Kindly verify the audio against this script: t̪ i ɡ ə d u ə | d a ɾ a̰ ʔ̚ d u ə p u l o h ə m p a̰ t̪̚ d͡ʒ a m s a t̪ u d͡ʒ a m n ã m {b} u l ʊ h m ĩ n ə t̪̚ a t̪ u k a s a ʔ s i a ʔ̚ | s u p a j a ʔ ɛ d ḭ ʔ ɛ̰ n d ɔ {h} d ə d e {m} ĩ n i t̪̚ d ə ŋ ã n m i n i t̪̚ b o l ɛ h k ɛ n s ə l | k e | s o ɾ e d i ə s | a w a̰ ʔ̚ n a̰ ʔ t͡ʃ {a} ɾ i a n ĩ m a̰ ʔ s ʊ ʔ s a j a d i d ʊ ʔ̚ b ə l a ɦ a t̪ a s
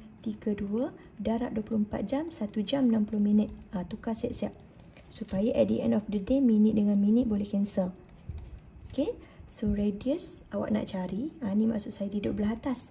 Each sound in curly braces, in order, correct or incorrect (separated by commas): incorrect, incorrect, correct, correct